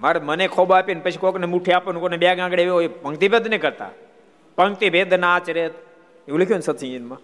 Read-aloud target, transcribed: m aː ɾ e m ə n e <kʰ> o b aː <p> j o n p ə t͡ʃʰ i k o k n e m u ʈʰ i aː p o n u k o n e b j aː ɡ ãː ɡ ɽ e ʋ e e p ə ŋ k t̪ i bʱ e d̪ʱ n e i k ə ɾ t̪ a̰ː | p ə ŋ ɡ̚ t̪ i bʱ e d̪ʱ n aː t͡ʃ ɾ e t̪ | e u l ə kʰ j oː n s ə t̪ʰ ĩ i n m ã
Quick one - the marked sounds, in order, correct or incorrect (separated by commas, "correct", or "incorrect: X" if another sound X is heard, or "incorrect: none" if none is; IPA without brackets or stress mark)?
correct, correct